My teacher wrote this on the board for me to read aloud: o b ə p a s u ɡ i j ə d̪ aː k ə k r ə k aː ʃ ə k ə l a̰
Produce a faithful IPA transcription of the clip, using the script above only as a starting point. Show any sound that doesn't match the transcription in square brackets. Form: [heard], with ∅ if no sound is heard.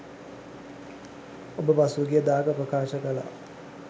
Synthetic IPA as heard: o b ə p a s u ɡ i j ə d̪ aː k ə [p] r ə k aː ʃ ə k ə l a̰

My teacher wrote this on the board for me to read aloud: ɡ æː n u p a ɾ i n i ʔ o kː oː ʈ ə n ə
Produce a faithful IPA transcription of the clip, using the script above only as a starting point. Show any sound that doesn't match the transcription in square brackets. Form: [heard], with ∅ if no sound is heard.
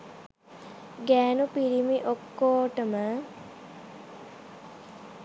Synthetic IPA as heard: ɡ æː n u p [i] ɾ i [m] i ʔ o kː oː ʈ ə [m] ə

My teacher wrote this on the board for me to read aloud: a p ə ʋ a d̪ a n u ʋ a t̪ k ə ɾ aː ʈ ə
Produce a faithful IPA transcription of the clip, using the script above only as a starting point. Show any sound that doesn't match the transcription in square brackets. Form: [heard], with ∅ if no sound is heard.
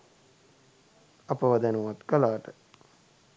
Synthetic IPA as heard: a p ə ʋ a d̪ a n u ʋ a t̪ k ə [l] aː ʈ ə

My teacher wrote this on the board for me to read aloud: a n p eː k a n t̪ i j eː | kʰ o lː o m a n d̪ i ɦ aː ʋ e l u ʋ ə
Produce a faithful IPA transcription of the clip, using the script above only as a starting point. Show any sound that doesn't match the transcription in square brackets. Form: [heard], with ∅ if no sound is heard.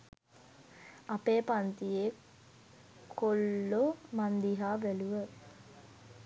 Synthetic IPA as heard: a [∅] p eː [p] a n t̪ i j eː | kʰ o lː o m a n d̪ i ɦ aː ʋ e l u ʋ ə

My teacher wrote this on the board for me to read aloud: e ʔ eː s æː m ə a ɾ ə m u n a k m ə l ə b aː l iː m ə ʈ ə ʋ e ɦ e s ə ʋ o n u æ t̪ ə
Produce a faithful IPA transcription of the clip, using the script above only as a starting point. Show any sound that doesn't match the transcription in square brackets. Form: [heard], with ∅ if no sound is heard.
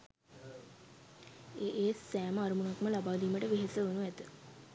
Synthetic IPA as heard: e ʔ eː s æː m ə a ɾ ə m u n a k m ə l [a] b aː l iː m ə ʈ ə ʋ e ɦ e s ə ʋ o n u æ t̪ ə

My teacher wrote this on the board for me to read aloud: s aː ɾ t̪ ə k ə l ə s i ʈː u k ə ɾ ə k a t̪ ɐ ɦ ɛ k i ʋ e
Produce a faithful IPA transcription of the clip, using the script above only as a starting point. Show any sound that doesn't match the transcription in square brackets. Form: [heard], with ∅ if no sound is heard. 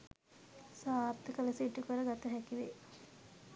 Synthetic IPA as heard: s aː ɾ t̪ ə k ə l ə s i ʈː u k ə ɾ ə [ɡ] a t̪ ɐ ɦ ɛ k i ʋ e

